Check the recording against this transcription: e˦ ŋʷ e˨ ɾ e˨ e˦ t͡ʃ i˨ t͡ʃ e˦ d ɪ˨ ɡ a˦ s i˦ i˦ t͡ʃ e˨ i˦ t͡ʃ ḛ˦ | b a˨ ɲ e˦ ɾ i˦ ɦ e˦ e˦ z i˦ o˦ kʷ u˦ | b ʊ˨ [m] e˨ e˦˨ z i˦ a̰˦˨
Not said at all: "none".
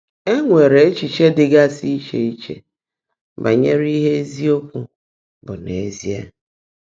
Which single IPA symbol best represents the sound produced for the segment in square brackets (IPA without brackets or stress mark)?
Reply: n